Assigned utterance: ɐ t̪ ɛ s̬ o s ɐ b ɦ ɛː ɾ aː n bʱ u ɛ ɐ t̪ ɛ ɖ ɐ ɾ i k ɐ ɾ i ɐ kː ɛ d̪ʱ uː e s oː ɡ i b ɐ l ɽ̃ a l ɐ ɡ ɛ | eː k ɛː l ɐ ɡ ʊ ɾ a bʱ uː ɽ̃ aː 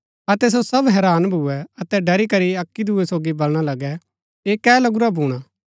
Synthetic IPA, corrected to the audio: ɐ t̪ ɛ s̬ o s ɐ b ɦ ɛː ɾ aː n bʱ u ɛ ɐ t̪ ɛ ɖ ɐ ɾ i k ɐ ɾ i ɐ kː i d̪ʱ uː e s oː ɡ i b ɐ l ɽ̃ a l ɐ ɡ ɛ | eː k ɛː l ɐ ɡ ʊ ɾ a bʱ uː ɽ̃ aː